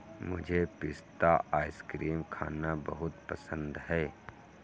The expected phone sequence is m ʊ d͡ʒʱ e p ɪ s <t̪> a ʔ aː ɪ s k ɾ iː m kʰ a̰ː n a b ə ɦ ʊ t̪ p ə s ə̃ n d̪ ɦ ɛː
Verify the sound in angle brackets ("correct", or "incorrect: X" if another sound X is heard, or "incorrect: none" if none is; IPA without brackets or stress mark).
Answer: correct